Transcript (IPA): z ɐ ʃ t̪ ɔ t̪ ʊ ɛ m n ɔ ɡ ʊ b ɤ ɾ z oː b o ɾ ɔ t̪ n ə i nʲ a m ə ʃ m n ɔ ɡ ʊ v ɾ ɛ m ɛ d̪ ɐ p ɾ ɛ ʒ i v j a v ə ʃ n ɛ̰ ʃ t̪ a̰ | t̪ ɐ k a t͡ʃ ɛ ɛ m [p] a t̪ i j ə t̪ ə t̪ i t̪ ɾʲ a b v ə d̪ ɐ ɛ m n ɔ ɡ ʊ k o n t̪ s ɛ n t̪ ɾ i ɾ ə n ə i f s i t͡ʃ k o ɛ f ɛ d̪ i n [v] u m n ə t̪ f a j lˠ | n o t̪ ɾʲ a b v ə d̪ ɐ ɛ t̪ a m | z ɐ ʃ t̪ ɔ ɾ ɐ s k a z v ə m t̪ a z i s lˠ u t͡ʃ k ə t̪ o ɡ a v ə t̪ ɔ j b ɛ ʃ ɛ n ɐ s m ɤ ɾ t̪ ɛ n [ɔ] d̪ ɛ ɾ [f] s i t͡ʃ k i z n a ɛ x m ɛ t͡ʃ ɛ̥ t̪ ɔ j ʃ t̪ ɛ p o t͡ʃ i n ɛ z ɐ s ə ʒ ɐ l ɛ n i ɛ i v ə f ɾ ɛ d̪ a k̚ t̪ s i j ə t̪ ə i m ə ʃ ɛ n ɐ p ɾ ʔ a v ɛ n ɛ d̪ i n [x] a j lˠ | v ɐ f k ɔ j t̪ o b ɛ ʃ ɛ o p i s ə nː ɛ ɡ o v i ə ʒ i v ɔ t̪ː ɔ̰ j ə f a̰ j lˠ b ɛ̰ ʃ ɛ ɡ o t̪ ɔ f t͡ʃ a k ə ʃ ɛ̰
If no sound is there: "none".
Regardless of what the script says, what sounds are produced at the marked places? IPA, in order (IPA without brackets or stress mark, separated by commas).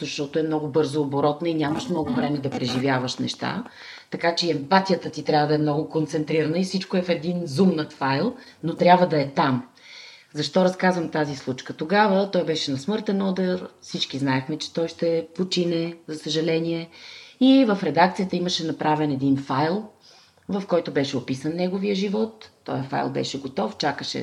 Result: p, z, ɔ, f, f